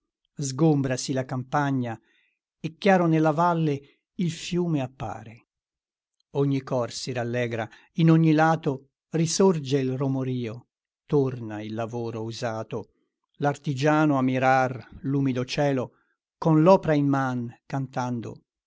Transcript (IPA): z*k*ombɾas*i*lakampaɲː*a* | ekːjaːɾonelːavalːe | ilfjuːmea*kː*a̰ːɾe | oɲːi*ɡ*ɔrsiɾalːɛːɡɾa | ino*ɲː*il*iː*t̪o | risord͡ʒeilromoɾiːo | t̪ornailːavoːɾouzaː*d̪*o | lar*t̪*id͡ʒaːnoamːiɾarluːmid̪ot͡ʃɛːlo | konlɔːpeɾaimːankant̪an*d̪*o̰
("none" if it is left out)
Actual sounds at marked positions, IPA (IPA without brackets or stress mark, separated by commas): ɡ, i, a, pː, k, ɲː, aː, t̪, t̪, d̪